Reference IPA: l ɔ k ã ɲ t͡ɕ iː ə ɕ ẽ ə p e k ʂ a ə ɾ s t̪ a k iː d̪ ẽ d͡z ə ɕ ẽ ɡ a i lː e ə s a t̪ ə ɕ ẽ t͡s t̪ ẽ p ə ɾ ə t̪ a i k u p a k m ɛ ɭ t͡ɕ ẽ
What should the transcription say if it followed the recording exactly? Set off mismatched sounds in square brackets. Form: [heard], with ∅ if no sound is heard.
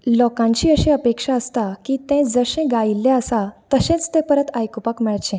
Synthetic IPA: l ɔ k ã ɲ t͡ɕ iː ə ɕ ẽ ə p e k ʂ a ə [∅] s t̪ a k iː [t̪] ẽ d͡z ə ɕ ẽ ɡ a i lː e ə s a t̪ ə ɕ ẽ t͡s t̪ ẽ p ə ɾ ə t̪ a [j] k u p a k m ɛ ɭ t͡ɕ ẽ